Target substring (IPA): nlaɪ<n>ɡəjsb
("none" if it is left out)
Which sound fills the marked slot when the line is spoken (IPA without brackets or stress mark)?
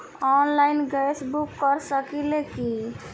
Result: n